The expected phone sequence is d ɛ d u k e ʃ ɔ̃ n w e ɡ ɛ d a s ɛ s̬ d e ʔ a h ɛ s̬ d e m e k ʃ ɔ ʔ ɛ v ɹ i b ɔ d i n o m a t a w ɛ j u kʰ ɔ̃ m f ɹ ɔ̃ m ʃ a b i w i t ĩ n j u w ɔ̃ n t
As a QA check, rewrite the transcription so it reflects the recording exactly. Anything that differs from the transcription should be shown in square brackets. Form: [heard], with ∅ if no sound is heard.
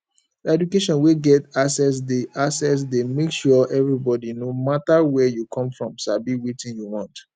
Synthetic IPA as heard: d ɛ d u k e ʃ ɔ̃ n w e ɡ ɛ [t] a s ɛ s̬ d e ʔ a [s] ɛ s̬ d e m e k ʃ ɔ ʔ ɛ v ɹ i b ɔ d i n o m a t a w ɛ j u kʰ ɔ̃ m f ɹ ɔ̃ m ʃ a b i w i t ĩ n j u w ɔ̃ n t

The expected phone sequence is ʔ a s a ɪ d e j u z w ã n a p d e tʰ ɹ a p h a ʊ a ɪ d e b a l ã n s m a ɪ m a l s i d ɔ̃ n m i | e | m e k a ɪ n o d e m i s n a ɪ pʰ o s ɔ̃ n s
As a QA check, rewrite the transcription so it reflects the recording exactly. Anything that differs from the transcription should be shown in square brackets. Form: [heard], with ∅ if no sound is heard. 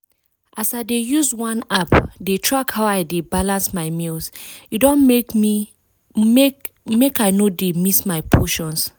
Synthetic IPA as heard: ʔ a s a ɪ d e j u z w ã n a p d e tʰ ɹ a [k] h a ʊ a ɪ d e b a l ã n s m a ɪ m [i] l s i d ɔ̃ n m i | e | m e k a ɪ n o d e m i s [m] a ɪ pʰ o [ʃ] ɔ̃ n s

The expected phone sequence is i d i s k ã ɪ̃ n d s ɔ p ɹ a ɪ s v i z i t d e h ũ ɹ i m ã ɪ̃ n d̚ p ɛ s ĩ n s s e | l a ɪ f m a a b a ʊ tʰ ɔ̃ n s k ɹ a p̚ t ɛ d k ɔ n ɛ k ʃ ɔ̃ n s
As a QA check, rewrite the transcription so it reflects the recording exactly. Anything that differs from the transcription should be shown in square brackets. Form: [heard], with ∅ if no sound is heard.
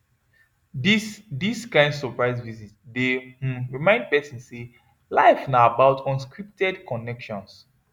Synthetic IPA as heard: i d i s k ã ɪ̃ n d s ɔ p ɹ a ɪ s v i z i t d e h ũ ɹ i m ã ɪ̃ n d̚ p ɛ s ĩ n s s e | l a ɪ f [n] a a b a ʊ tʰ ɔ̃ n s k ɹ [i] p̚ t ɛ d k ɔ n ɛ k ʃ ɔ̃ n s

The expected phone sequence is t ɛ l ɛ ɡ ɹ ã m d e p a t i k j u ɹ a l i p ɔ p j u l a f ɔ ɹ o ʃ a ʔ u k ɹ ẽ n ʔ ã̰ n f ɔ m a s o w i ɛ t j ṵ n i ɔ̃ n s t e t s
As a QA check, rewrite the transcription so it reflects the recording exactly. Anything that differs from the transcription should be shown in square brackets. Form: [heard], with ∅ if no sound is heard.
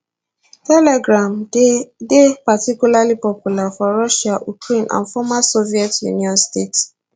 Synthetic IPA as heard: t ɛ l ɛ ɡ ɹ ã m d e p a t i k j u [l] a l i p ɔ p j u l a f ɔ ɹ [ɔ] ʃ a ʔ u k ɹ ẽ n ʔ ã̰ n f ɔ m a s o [v] i ɛ t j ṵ n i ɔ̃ n s t e t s

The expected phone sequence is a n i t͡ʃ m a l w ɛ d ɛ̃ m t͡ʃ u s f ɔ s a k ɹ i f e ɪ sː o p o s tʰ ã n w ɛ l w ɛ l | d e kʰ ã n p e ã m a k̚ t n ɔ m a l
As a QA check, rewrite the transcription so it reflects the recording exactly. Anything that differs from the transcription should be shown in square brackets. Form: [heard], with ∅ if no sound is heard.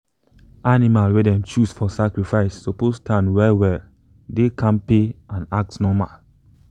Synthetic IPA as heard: a n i [∅] m a l w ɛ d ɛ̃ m t͡ʃ u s f ɔ s a k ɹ i f [a] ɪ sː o p o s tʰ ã n w ɛ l w ɛ l | d e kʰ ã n p e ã [n] a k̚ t n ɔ m a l

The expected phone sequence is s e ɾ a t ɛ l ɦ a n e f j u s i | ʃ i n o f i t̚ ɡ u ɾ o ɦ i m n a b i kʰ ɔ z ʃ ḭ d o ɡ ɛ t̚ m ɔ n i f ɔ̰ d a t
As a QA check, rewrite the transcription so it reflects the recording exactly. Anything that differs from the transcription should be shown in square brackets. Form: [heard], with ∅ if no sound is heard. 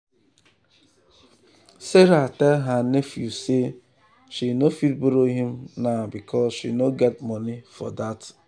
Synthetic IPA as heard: s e ɾ a t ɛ l ɦ a n e f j u s [e] | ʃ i n o f i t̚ [b] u ɾ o ɦ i m n a b i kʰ ɔ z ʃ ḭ [n] o ɡ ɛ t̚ m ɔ n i f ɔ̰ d a t

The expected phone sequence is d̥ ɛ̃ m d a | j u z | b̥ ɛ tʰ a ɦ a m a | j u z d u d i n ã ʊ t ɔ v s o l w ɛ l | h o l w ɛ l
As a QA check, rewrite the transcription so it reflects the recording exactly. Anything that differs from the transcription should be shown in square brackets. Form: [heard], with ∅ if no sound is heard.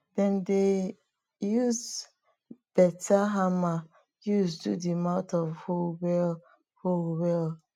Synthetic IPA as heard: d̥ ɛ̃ [n] d [e] | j u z | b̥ ɛ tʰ a ɦ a m a | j u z d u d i [m] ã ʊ t ɔ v [h] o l w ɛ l | h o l w ɛ l

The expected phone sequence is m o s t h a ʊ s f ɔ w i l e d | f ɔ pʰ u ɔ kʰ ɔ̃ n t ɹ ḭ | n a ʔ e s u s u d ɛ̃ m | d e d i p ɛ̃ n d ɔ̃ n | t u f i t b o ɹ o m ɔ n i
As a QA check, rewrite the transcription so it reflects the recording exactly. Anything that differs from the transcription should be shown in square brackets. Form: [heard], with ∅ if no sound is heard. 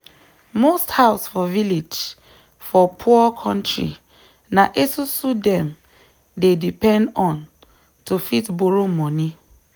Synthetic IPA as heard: m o s t h a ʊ s f ɔ [v] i l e [d͡ʒ] | f ɔ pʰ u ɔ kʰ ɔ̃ n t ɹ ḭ | n a ʔ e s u s u d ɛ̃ m | d e d i p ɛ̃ n d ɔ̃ n | t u f i t b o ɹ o m ɔ n i

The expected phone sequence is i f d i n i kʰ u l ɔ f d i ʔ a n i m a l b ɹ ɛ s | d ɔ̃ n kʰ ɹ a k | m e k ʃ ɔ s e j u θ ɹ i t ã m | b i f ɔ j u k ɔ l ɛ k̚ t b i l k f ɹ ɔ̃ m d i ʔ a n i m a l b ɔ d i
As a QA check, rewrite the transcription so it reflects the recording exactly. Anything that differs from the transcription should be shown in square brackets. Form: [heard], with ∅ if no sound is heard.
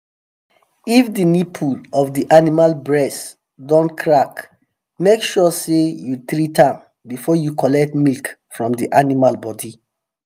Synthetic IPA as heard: i f d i n i [pʰ] u l ɔ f d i ʔ a n i m a l b ɹ ɛ s | d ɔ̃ n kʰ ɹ a k | m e k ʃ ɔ s e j u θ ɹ i t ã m | b i f ɔ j u k ɔ l ɛ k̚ t [m] i l k f ɹ ɔ̃ m d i ʔ a n i m a l b ɔ d i

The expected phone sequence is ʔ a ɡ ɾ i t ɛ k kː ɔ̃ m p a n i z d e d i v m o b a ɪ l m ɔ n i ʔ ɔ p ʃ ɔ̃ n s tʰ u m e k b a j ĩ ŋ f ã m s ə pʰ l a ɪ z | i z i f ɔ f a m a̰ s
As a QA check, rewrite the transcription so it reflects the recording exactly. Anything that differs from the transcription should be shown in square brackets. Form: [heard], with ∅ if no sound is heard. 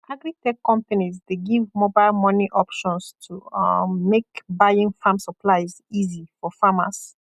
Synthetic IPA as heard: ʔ a ɡ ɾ i t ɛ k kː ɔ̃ m p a n i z d e [ɡ] i v m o b a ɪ l m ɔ n i ʔ ɔ p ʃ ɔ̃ n s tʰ u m e k b a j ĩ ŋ f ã m s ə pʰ l a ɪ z | i z i f ɔ f a m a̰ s

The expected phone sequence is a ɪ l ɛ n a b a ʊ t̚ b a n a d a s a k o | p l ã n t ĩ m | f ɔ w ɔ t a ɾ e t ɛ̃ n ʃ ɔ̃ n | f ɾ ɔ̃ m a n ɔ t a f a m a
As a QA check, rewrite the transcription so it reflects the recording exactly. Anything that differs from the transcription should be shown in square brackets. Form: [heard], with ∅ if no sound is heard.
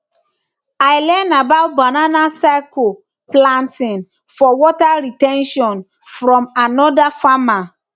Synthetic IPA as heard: a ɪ l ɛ n a b a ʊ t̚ b a n a [n] a s a k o | p l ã n t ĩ [n] | f ɔ w ɔ t a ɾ [i] t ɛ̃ n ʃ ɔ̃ n | f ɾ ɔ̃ m a n ɔ [d] a f a m a

